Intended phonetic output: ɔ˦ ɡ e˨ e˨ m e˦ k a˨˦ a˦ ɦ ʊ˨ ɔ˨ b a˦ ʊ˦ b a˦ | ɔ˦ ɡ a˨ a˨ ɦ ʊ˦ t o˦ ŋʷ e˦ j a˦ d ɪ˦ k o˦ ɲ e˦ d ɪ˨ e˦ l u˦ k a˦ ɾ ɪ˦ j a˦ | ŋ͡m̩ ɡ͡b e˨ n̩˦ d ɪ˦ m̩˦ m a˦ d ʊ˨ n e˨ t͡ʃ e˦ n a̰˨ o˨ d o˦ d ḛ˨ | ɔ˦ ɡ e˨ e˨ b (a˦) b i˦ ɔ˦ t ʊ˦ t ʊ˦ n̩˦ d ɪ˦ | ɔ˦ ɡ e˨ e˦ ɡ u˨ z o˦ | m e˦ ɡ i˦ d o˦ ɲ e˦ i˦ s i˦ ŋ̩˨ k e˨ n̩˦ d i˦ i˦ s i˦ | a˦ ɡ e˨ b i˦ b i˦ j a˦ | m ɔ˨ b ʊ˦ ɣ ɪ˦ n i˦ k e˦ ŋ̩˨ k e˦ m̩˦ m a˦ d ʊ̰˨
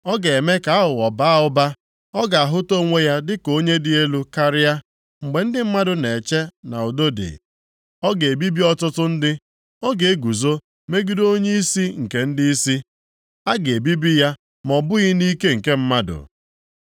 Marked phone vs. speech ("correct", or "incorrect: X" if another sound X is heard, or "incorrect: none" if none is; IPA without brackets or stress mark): incorrect: i˦